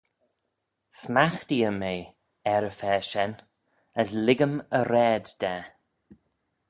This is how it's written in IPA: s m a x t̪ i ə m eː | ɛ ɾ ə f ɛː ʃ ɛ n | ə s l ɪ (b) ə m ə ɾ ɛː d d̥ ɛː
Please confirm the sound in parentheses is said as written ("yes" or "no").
no